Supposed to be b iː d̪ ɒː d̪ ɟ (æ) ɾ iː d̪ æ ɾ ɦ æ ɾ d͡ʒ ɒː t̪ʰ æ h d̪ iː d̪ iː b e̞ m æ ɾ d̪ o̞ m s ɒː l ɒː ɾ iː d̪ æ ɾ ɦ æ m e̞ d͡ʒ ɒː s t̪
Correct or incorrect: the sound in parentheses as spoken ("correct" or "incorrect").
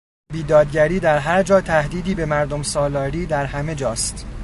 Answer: correct